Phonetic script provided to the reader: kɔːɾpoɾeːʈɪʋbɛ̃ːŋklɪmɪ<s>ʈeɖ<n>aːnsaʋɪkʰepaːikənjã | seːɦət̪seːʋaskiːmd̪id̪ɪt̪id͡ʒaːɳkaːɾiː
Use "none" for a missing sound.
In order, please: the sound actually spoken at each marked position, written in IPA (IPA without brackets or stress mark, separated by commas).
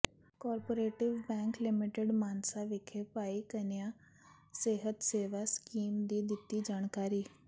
none, m